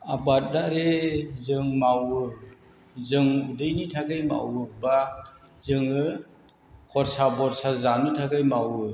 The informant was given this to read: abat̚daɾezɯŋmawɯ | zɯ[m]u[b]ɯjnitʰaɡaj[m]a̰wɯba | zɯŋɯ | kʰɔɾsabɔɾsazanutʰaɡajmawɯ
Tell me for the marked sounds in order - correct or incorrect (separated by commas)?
incorrect, incorrect, correct